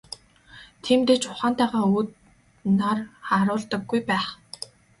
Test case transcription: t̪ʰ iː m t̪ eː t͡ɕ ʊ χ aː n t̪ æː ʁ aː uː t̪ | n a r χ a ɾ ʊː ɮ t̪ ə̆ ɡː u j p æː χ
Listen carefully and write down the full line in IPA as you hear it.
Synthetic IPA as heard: t̪ʰ iː m t̪ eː t͡ɕ ʊ χ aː n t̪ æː ʁ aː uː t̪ | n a r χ a ɾ ʊː ɮ t̪ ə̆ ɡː u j p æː χ

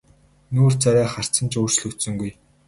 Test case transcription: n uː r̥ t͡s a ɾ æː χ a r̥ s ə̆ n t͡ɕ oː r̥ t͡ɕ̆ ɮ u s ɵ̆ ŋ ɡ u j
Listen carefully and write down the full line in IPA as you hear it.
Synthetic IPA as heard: n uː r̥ t͡s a ɾ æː χ a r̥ t͡s ə̆ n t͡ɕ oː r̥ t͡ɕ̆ ɮ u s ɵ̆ ŋ ɡ u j

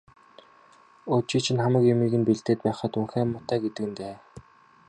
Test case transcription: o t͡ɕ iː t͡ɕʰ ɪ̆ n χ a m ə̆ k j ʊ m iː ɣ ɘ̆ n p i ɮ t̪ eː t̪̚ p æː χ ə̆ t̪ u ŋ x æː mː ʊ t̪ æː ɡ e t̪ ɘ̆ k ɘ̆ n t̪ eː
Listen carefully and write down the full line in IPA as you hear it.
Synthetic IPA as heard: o t͡ɕ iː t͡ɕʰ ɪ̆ n χ a m ə̆ k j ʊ m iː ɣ ɘ̆ n p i ɮ t̪ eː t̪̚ p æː χ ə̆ t̪ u ŋ x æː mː ʊ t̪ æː ɡ e t̪ ɘ̆ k ɘ̆ n t̪ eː

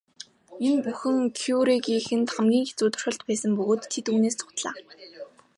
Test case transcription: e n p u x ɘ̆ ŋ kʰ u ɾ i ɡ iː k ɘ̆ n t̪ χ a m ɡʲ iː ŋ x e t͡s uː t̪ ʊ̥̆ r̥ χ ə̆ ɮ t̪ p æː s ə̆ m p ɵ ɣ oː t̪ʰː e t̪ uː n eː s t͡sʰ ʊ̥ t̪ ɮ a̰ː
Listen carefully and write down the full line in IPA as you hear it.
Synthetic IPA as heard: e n p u x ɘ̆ ŋ kʰ u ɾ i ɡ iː x ɘ̆ n t̪ χ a m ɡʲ iː ŋ x e t͡s uː t̪ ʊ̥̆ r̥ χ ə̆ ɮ t̪ p æː s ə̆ m p ɵ ɣ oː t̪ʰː e t̪ uː n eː s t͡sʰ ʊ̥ t̪ ɮ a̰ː

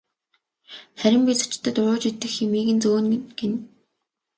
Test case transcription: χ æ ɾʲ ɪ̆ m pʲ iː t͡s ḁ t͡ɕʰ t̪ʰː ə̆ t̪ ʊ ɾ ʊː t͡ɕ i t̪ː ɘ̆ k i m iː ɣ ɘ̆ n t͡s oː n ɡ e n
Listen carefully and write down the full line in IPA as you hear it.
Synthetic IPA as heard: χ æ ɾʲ ɪ̆ m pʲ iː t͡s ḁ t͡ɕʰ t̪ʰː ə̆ t̪ ʊ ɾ ʊː t͡ɕ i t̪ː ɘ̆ x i m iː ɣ ɘ̆ n t͡s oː n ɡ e n

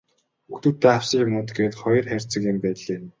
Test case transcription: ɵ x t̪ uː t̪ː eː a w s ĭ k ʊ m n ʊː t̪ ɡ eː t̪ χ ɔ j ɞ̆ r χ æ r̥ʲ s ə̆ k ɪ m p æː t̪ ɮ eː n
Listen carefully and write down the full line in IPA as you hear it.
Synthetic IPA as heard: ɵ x t̪ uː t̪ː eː a w s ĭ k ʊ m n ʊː t̪ ɡ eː t̪ χ ɔ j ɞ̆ r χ æ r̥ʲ t͡s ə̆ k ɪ m p æː t̪ ɮ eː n

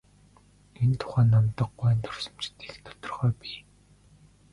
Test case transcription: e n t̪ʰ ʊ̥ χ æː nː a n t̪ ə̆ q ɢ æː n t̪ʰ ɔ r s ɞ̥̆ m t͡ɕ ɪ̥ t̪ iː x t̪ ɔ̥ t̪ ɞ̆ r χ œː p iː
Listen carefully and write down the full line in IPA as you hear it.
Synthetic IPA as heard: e n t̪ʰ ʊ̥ χ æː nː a m t̪ ə̆ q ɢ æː n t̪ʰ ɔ r s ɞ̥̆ m t͡ɕ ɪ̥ t̪ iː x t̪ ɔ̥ t̪ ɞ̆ r χ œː p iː

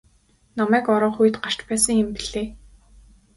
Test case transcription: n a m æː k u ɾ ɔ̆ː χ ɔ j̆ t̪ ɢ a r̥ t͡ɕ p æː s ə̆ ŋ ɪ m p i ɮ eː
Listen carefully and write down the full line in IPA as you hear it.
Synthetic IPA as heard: n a m æː k ɔ ɾ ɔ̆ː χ u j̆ t̪ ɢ a r̥ t͡ɕ p æː s ə̆ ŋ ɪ m p i ɮ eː

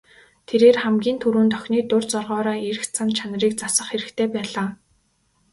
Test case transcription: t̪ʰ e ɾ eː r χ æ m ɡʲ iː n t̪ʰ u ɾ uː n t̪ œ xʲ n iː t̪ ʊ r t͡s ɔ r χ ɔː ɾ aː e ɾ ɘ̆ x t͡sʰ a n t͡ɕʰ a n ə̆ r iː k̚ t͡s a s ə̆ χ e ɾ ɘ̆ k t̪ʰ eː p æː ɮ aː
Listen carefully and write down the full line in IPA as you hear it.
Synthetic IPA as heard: t̪ʰ e ɾ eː r χ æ m ɡʲ iː n t̪ʰ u ɾ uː n t̪ œ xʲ n iː t̪ ʊ r t͡s ɔ r ʁ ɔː ɾ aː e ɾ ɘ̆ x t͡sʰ a n t͡ɕʰ a n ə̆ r iː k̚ t͡s a s ə̆ χ e ɾ ɘ̆ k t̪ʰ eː p æː ɮ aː

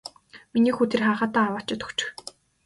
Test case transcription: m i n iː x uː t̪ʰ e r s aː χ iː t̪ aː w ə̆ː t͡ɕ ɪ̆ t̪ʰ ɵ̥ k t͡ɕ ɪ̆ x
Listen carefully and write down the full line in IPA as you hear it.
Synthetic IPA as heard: m i n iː x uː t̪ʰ e r χ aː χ aː t̪ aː w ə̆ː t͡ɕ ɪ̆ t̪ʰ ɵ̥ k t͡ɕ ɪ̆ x

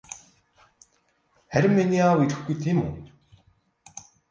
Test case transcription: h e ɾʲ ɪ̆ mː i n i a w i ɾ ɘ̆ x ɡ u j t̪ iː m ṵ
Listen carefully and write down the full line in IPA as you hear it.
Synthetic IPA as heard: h æ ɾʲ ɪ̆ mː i n i a w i ɾ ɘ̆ x ɡ u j t̪ʰ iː m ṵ

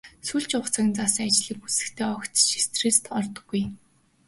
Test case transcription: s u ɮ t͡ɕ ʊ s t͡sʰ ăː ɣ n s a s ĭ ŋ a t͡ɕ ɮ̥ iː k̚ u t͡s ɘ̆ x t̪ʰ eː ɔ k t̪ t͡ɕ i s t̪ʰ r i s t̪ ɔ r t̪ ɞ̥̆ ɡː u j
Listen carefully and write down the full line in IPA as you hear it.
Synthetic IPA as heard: s u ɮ t͡ɕ ʊ χ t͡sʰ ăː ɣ n t͡s a s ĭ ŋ a t͡ɕ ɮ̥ iː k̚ u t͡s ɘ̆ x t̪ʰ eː ɔ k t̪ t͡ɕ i s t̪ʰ r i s t̪ ɔ r t̪ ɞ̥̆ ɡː u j

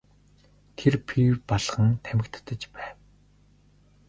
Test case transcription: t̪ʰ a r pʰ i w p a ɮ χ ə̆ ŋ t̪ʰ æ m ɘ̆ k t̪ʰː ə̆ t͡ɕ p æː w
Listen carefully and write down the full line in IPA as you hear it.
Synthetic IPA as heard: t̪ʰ e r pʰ i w p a ɮ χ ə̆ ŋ t̪ʰ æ m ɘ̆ k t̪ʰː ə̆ t͡ɕ p æː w

